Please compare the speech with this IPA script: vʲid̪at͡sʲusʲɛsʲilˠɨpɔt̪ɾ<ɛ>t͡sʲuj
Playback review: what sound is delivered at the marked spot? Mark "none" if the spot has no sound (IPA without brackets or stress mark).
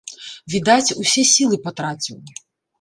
a